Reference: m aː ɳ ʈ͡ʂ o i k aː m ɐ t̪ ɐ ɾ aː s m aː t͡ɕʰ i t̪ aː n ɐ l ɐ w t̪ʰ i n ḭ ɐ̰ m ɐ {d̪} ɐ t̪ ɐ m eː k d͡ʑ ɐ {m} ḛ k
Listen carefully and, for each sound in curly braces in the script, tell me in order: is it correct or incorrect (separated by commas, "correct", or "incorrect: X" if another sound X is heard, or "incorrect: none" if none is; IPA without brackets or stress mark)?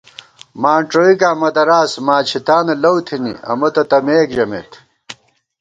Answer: incorrect: t̪, correct